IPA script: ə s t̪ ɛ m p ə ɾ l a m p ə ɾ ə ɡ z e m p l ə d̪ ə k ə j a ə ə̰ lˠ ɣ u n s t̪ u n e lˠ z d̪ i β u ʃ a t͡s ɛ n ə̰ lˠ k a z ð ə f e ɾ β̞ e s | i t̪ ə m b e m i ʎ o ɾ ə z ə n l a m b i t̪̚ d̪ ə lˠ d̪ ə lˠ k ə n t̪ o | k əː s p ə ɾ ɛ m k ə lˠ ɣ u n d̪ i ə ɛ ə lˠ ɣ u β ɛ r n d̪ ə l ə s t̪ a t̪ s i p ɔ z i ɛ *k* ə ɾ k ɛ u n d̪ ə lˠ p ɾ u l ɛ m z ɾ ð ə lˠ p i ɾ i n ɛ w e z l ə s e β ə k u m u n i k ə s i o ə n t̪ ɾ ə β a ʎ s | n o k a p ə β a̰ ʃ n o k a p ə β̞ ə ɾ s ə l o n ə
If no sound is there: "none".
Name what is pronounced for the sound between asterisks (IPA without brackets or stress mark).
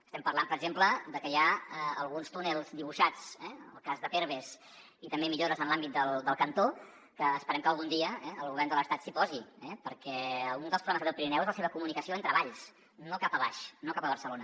p